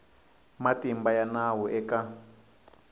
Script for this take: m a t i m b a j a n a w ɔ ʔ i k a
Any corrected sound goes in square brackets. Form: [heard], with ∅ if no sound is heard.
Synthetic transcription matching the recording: m a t i m b a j a n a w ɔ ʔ [ɛ] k a